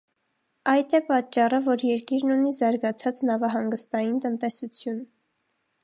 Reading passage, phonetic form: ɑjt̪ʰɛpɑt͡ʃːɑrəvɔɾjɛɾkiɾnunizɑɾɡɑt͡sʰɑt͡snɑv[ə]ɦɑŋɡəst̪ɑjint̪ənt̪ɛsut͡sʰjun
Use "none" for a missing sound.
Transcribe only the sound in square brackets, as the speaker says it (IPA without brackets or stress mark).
ɑ